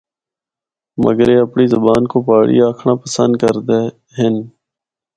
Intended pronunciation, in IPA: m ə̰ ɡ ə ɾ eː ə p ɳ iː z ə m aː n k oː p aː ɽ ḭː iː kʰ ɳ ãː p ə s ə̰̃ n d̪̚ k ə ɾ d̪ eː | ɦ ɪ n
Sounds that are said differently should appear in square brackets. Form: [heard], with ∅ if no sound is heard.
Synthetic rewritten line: m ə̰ ɡ ə ɾ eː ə p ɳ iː z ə [b] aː n k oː p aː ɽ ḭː [aː] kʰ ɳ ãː p ə s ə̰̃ n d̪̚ k ə ɾ d̪ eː | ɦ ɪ n